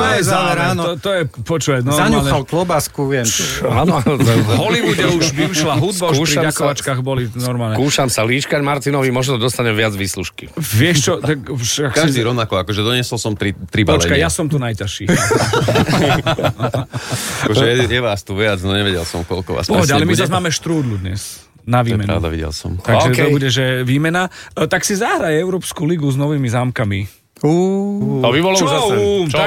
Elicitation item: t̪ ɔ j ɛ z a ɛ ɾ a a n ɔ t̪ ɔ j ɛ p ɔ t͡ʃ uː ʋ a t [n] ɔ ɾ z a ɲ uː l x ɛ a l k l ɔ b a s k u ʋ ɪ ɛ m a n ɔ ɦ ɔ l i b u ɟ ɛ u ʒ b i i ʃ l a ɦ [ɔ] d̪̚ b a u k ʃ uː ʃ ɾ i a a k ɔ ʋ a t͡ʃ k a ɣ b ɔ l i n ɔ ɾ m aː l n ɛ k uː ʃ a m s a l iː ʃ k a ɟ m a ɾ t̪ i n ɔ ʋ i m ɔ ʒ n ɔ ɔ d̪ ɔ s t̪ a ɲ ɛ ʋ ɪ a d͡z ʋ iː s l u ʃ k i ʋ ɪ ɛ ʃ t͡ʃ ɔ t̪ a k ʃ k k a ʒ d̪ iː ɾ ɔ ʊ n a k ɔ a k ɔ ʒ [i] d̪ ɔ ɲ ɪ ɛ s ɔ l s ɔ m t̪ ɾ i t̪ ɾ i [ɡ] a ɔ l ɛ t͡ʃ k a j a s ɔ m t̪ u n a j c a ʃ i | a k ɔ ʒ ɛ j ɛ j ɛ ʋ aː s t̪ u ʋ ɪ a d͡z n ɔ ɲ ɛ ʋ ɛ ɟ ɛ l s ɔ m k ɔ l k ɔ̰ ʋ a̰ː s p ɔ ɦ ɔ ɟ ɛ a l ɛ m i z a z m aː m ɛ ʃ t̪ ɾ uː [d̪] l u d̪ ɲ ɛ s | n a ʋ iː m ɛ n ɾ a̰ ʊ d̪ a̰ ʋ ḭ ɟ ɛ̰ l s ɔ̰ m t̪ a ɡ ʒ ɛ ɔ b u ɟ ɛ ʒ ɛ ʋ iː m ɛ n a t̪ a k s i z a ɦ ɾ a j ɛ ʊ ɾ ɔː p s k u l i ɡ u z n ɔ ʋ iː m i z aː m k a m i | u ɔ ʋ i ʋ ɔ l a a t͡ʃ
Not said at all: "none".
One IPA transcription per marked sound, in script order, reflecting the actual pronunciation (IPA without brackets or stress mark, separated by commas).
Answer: n, u, ɛ, b, d̪